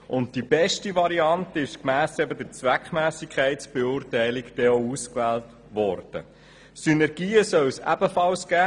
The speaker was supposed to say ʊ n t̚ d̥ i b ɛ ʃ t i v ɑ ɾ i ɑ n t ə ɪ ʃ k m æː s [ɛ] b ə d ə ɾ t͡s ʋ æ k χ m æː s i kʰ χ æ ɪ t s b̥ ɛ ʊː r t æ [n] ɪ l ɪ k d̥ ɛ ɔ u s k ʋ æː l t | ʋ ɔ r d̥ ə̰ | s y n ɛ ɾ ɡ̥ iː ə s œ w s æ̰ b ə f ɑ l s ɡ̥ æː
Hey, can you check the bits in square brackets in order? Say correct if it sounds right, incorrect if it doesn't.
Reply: correct, incorrect: none

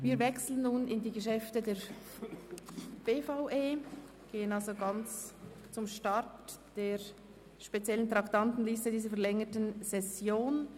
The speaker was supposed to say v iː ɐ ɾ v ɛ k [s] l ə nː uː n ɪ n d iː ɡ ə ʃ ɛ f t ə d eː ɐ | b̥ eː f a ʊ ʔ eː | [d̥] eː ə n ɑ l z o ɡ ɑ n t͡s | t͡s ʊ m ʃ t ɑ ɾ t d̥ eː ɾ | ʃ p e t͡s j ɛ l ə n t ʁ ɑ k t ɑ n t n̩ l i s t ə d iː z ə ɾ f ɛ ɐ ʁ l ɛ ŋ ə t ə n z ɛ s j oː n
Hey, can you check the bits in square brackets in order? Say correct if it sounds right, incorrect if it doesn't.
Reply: correct, incorrect: ɡ̥

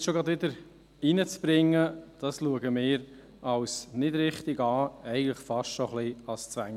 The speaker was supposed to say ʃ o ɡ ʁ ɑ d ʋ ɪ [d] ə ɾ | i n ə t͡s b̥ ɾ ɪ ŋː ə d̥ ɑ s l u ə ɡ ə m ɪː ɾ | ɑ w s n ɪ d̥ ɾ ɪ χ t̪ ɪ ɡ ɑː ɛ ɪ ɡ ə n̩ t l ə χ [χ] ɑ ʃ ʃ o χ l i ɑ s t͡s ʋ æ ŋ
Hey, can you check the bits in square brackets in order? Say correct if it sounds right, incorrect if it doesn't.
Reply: correct, incorrect: f

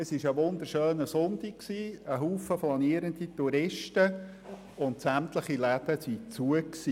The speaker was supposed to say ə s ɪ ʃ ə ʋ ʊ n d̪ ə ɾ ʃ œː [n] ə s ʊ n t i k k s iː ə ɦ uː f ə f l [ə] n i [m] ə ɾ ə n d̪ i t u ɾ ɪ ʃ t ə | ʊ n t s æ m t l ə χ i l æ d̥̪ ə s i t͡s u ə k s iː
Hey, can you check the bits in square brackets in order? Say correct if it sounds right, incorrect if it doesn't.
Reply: correct, incorrect: ɑ, incorrect: none

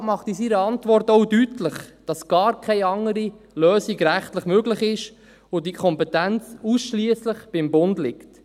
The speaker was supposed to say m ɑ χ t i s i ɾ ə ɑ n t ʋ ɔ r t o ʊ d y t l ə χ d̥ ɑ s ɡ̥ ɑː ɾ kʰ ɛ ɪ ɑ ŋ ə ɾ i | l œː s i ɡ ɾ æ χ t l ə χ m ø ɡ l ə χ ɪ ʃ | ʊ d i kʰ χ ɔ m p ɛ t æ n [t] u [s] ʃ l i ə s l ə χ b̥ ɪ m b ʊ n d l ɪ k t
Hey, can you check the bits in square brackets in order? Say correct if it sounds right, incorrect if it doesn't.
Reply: incorrect: t͡s, correct

